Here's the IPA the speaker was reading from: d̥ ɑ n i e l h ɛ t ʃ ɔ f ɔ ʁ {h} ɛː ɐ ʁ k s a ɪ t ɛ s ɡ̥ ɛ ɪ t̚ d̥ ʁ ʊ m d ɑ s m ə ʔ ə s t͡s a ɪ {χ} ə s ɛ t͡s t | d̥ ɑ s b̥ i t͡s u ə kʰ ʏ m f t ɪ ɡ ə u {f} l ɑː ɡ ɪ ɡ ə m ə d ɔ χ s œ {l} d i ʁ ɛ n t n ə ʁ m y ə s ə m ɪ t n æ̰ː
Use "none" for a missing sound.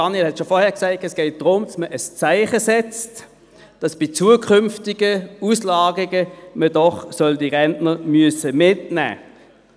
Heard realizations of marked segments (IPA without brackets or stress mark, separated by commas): h, χ, s, l